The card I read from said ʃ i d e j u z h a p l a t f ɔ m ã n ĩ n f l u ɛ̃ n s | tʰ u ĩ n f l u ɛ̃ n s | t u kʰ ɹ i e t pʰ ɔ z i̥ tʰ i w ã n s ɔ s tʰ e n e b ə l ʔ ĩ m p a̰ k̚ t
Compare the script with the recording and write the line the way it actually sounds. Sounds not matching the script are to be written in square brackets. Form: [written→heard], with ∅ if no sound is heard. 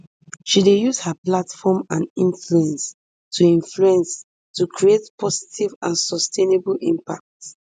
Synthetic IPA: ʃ i d e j u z h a p l a t f ɔ m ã n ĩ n f l u ɛ̃ n s | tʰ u ĩ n f l u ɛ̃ n s | t u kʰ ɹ i e t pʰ ɔ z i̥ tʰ i [w→v] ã n s ɔ s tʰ e n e b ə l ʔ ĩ m p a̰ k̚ t